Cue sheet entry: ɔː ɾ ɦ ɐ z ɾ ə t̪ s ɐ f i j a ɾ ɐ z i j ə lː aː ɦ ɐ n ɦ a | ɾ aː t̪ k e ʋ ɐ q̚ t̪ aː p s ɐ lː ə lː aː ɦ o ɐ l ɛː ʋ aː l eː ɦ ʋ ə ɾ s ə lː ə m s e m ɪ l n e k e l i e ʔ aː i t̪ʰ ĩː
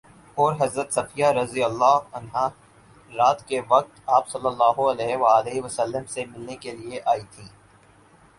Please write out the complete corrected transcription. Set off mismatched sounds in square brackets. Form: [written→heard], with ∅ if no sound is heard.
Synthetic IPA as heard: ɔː ɾ ɦ ɐ z ɾ ə t̪ s ɐ f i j a ɾ ɐ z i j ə lː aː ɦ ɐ n ɦ a | ɾ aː t̪ k e ʋ ɐ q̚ t̪ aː p s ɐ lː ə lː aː ɦ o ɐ l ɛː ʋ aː l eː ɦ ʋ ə [ɾ→∅] s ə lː ə m s e m ɪ l n e k e l i e ʔ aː i t̪ʰ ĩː